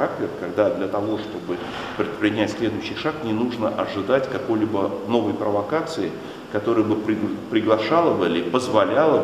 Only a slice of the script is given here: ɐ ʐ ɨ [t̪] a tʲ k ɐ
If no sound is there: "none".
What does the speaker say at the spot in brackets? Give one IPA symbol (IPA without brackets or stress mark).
d̪